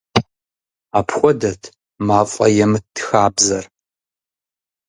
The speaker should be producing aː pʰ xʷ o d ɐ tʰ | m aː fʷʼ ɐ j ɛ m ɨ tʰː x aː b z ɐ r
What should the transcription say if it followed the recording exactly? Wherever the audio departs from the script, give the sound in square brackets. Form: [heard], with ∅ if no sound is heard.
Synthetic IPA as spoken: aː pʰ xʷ [ɔ] d ɐ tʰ | m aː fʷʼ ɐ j ɛ m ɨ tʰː x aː b z ɐ r